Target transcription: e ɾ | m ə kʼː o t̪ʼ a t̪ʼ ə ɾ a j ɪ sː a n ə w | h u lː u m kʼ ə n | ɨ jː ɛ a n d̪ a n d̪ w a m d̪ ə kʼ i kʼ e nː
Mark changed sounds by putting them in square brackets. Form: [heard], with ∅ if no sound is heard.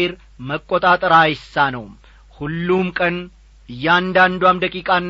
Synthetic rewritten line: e ɾ | m ə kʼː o t̪ʼ a t̪ʼ ə ɾ a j ɪ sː a n ə w | h u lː u m kʼ ə n | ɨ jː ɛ a n d̪ a n d̪ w a m d̪ ə kʼ i kʼ [a] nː